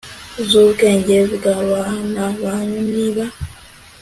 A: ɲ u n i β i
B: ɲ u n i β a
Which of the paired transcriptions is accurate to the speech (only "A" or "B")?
B